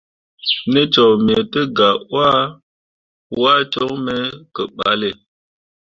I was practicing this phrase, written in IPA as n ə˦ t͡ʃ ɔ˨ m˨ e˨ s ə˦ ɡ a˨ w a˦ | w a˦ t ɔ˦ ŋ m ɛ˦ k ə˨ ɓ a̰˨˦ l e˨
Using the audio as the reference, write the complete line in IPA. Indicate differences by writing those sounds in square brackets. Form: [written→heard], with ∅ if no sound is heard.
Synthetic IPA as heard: n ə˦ t͡ʃ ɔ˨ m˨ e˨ [s→t] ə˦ ɡ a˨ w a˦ | w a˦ [t→t͡ʃ] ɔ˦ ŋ m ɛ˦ k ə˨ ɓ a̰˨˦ l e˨